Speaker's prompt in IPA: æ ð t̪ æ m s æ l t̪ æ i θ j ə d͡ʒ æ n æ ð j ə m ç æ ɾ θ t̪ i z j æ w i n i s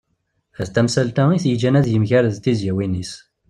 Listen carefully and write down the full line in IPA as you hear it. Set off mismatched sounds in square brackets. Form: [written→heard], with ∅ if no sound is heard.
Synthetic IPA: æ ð t̪ æ m s æ l t̪ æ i θ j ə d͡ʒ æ n æ ð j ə m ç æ ɾ [θ→ð] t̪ i z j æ w i n i s